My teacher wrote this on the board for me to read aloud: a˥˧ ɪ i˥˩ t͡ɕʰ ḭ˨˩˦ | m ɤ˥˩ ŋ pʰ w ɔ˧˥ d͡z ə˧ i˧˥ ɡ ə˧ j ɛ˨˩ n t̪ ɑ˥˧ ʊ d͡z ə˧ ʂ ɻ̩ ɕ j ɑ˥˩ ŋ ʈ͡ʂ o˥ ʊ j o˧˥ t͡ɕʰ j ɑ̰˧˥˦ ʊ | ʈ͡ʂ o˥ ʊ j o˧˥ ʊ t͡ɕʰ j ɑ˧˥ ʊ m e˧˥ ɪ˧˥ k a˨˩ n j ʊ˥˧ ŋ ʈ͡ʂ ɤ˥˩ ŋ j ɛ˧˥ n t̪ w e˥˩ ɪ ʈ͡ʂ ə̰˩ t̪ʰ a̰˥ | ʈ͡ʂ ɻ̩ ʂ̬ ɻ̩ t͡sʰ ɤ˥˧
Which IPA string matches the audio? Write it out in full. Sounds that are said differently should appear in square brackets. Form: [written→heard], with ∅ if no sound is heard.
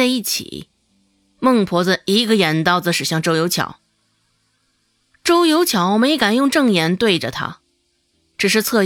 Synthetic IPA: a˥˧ ɪ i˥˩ t͡ɕʰ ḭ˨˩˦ | m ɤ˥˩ ŋ pʰ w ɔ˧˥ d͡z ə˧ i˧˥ ɡ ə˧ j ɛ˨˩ n t̪ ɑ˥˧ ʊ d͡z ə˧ ʂ ɻ̩ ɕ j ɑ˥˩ ŋ ʈ͡ʂ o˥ ʊ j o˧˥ t͡ɕʰ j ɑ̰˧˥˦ ʊ | ʈ͡ʂ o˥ ʊ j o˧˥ ʊ t͡ɕʰ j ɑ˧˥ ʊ m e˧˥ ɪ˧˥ k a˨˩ n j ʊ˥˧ ŋ ʈ͡ʂ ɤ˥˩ ŋ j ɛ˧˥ n t̪ w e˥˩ ɪ ʈ͡ʂ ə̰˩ t̪ʰ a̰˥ | ʈ͡ʂ ɻ̩ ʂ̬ ɻ̩ t͡sʰ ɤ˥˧